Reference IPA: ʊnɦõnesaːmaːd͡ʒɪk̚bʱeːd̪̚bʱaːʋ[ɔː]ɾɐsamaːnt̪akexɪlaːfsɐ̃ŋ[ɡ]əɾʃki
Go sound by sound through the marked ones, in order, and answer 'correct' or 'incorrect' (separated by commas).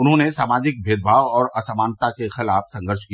correct, correct